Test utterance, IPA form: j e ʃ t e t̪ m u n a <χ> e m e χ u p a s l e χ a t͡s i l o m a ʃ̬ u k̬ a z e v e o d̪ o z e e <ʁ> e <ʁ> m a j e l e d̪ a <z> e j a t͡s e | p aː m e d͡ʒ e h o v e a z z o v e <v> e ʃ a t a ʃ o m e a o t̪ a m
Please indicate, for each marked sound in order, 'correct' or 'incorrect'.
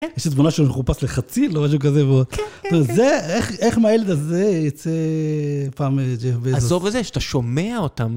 incorrect: ʃ, incorrect: χ, incorrect: χ, correct, incorrect: z

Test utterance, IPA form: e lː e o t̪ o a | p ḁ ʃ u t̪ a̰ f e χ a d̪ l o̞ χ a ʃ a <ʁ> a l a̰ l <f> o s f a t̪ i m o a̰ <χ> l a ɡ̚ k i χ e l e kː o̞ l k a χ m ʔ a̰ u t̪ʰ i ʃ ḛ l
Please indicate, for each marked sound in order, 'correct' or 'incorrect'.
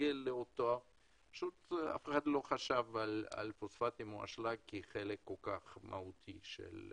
incorrect: v, correct, incorrect: ʃ

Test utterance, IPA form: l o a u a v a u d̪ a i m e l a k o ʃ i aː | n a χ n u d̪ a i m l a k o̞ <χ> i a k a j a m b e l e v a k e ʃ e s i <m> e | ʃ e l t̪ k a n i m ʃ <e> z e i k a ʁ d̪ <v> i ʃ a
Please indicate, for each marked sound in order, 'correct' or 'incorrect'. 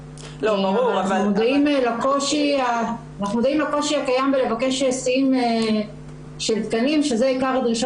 incorrect: ʃ, correct, correct, incorrect: ʁ

